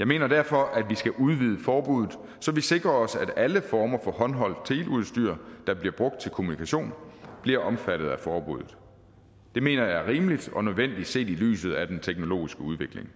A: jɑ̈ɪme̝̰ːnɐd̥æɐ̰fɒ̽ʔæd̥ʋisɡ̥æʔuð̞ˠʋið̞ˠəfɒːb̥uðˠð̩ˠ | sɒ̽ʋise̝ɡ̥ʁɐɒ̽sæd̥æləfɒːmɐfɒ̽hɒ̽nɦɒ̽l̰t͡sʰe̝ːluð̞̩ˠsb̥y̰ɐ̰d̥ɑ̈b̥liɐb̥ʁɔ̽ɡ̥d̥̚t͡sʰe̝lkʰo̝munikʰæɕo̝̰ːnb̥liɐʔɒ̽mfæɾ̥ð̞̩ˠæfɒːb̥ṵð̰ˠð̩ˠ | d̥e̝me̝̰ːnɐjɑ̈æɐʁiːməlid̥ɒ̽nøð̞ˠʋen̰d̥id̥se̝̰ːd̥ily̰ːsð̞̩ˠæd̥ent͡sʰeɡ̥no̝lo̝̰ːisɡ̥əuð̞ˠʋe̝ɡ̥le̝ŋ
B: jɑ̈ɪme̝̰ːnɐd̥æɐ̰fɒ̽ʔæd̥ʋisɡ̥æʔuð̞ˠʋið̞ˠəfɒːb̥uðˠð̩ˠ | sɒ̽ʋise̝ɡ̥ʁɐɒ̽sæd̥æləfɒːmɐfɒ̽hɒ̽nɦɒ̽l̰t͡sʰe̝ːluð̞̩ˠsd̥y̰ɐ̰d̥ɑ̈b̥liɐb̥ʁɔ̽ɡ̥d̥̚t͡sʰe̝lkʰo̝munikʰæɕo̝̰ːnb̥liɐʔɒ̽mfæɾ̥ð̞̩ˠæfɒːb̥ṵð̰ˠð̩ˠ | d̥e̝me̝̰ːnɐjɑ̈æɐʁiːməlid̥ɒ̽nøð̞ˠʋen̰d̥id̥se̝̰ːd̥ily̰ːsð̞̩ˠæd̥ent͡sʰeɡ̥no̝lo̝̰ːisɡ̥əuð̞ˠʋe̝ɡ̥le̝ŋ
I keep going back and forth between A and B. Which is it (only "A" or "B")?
B